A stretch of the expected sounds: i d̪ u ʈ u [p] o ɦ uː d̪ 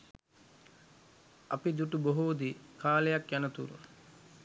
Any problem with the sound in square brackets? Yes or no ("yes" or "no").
yes